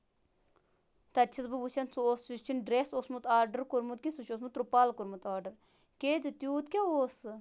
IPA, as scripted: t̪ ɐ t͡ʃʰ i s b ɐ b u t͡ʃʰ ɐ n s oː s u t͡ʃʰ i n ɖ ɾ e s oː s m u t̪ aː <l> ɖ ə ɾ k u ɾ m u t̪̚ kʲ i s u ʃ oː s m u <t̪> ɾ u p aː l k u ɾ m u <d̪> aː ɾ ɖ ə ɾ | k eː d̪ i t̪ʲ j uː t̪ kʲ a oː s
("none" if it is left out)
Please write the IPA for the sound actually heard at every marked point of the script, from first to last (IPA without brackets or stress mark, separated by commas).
ɾ, t̪, t̪